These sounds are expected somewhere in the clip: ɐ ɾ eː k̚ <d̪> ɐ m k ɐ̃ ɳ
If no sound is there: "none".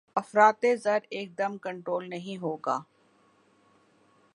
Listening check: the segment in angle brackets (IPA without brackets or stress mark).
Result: d̪